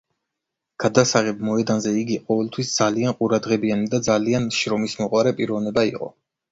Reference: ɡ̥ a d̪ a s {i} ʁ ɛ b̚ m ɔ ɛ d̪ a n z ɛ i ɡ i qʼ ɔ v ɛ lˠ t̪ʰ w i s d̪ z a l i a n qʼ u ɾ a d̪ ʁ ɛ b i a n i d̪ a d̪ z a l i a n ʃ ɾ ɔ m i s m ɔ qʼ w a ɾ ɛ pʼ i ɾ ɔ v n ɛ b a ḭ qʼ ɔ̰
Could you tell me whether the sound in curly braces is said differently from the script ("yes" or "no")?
yes